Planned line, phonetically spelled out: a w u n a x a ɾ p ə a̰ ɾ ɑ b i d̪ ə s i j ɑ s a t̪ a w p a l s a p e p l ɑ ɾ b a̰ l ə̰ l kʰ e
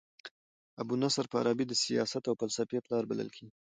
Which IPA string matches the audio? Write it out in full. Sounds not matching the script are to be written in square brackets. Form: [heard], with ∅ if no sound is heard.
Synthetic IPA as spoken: a [b] u n a [s] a ɾ p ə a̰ ɾ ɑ b i d̪ ə s i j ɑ s a t̪ a w p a l s a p e p l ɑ ɾ b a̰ l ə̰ l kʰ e